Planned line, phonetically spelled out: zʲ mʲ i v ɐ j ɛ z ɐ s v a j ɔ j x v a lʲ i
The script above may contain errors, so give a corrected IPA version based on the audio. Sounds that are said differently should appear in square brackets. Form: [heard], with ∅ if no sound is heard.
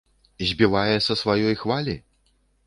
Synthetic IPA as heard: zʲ [bʲ] i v [a] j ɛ [s] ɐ s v a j ɔ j x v a lʲ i